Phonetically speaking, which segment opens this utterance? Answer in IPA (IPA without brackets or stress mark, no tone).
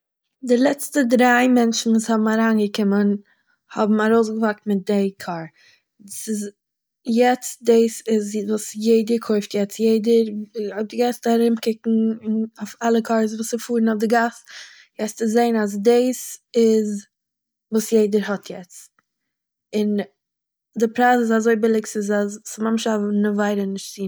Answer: d